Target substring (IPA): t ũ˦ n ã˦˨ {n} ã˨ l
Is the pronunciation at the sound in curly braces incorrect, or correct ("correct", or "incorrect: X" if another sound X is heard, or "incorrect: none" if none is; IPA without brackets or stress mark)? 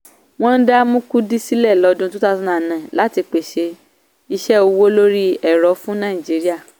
correct